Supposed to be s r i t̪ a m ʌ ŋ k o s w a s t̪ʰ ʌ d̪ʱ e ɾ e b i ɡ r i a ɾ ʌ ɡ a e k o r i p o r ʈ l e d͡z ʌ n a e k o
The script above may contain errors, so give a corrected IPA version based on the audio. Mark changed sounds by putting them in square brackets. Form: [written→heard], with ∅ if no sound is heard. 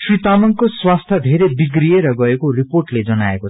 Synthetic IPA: s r i t̪ a m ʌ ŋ k o s w a s t̪ʰ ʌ d̪ʱ e ɾ e b i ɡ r i [a→e] ɾ ʌ ɡ [a→ʌ] e k o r i p o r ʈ l e d͡z ʌ n a e k o